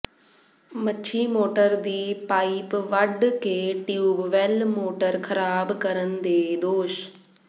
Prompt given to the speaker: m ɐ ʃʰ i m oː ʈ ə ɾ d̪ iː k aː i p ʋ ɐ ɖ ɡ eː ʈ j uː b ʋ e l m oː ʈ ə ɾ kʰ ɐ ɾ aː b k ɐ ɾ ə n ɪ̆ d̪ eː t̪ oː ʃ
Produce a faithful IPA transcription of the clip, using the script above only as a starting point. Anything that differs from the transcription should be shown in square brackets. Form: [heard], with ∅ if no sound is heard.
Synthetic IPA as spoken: m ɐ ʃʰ i m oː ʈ ə ɾ d̪ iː [p] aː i p ʋ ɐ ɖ [k] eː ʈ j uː b ʋ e l m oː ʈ ə ɾ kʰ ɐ ɾ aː b k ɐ ɾ ə n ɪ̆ d̪ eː [d̪] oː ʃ